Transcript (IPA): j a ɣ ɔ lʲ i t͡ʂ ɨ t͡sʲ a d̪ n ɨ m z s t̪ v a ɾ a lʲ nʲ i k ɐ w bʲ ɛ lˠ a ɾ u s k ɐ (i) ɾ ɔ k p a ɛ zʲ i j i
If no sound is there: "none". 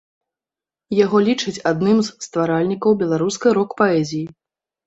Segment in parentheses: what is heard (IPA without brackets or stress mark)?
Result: j